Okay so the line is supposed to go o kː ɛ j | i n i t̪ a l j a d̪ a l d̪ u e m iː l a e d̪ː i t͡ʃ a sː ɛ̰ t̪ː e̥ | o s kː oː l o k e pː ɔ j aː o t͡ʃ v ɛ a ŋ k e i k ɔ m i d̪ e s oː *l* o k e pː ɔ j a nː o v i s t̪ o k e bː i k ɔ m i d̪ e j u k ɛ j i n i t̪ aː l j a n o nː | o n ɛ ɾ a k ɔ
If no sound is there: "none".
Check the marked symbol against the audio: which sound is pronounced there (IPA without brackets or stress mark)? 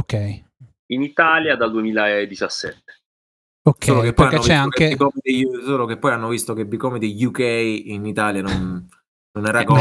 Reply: l